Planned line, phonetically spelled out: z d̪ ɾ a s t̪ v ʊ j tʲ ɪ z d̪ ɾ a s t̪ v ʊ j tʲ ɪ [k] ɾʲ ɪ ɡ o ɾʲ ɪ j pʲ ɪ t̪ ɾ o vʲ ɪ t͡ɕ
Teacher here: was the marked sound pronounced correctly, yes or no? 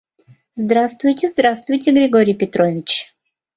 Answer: no